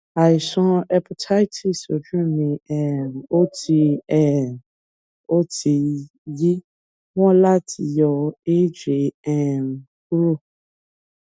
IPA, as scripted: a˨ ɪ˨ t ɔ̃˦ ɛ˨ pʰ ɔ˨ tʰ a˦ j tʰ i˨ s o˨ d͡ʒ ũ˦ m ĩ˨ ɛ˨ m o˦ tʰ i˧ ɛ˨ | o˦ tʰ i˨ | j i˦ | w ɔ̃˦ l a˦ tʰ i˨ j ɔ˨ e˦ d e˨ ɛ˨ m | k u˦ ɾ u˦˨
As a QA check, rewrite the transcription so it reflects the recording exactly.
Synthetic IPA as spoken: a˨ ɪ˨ s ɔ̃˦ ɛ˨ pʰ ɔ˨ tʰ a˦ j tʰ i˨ s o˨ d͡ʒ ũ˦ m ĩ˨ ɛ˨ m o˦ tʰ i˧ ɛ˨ | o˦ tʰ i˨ | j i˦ | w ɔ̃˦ l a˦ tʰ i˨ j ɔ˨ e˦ d͡ʒ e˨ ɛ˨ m | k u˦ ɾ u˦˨